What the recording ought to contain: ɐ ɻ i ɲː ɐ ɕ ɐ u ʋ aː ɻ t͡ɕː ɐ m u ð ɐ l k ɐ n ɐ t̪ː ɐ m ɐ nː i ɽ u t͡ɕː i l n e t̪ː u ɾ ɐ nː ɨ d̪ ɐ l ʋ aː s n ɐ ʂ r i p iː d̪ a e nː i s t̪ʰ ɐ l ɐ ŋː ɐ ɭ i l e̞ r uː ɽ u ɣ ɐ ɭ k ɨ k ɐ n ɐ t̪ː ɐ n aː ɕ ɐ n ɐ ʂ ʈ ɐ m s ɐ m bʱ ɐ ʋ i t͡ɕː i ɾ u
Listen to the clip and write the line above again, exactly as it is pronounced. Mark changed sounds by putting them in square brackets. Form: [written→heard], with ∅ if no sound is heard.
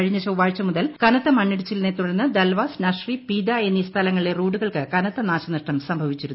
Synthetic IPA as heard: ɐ ɻ i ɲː ɐ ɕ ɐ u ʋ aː ɻ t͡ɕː ɐ m u ð ɐ l k ɐ n ɐ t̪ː ɐ m ɐ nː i ɽ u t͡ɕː i l n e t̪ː u [ɾ→ɽ] ɐ nː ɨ d̪ ɐ l ʋ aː s n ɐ ʂ r i p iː d̪ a e nː i s t̪ʰ ɐ l ɐ ŋː ɐ ɭ i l e̞ r uː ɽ u ɣ ɐ ɭ k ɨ k ɐ n ɐ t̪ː ɐ n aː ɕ ɐ n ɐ ʂ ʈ ɐ m s ɐ m bʱ ɐ ʋ i t͡ɕː i ɾ u